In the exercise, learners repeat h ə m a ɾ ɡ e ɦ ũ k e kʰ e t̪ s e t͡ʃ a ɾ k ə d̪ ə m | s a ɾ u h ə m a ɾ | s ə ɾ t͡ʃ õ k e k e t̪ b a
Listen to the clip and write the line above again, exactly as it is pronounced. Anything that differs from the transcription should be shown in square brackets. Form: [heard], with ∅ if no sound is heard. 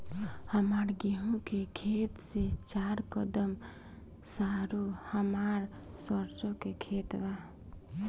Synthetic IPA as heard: h ə m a ɾ ɡ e ɦ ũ k e kʰ e t̪ s e t͡ʃ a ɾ k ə d̪ ə m | s a ɾ u h ə m a ɾ | s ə ɾ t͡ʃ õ k e [kʰ] e t̪ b a

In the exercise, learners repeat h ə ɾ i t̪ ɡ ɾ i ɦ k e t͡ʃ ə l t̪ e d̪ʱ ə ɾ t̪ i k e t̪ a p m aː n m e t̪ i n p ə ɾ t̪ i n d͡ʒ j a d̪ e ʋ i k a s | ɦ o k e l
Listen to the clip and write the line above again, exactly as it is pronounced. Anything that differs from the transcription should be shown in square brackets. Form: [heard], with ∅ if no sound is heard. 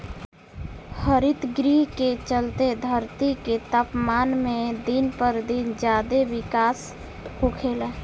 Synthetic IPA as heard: h ə ɾ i t̪ ɡ ɾ i ɦ k e t͡ʃ ə l t̪ e d̪ʱ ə ɾ t̪ i k e t̪ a p m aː n m e [d̪] i n p ə ɾ [d̪] i n d͡ʒ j a d̪ e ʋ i k a s | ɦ o [kʰ] e l

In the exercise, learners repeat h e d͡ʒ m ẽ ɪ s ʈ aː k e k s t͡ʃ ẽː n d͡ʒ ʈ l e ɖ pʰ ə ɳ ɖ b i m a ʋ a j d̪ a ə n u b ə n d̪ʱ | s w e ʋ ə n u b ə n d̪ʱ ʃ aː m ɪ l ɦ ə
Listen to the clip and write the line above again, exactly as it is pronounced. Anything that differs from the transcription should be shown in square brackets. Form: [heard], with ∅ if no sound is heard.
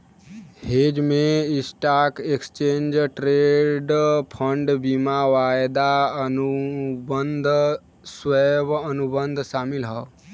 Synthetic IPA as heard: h e d͡ʒ m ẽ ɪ s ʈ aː k e k s t͡ʃ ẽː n d͡ʒ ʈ [ɾ] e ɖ pʰ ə ɳ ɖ b i m a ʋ a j d̪ a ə n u b ə n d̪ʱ | s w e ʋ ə n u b ə n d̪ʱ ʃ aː m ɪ l ɦ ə

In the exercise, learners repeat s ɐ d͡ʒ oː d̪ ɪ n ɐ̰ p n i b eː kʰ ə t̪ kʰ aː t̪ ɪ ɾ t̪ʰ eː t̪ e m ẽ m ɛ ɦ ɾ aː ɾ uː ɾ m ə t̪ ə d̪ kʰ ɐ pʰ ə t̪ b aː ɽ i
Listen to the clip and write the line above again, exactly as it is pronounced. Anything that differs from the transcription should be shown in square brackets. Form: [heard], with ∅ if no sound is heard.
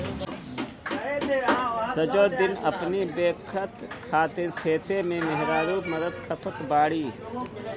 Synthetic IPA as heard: s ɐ d͡ʒ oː d̪ ɪ n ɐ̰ p n i b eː kʰ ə t̪ kʰ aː t̪ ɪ ɾ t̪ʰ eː t̪ e m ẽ m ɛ ɦ ɾ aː ɾ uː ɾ m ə [d̪] ə d̪ kʰ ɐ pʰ ə t̪ b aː ɽ i

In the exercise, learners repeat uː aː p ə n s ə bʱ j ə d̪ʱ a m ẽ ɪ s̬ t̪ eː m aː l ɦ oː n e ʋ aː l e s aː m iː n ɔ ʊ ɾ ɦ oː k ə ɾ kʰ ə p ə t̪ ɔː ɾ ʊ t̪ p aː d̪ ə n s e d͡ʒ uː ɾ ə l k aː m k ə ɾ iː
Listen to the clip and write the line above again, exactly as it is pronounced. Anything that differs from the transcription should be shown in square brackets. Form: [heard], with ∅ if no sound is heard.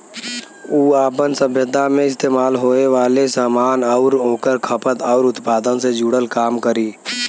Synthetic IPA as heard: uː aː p ə n s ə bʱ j ə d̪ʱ a m ẽ ɪ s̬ t̪ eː m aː l ɦ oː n e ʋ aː l e s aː m [aː] n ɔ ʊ ɾ ɦ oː k ə ɾ kʰ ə p ə t̪ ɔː ɾ ʊ t̪ p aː d̪ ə n s e d͡ʒ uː [ɽ] ə l k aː m k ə ɾ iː

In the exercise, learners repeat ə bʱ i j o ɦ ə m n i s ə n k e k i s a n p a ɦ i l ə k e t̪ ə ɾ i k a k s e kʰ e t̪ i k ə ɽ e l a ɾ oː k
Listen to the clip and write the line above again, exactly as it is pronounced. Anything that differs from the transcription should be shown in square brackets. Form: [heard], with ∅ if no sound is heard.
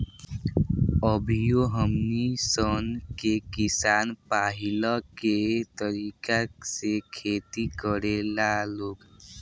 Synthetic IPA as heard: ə bʱ i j o ɦ ə m n i s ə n k e k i s a n p a ɦ i l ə k e t̪ ə ɾ i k a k s e kʰ e t̪ i k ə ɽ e l a [l] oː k

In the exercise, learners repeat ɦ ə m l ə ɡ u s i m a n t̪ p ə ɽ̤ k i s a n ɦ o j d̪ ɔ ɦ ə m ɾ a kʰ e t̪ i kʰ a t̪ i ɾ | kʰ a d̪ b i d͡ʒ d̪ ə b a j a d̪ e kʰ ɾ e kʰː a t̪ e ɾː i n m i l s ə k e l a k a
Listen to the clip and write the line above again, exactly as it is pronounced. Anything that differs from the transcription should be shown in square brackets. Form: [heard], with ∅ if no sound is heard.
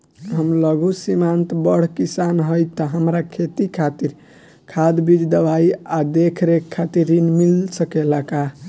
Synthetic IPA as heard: ɦ ə m l ə ɡ u s i m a n t̪ [b] ə ɽ̤ k i s a n ɦ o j [t̪] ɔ ɦ ə m ɾ a kʰ e t̪ i kʰ a t̪ i ɾ | kʰ a d̪ b i d͡ʒ d̪ ə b a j a d̪ e kʰ ɾ e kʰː a t̪ [i] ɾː i n m i l s ə k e l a k a

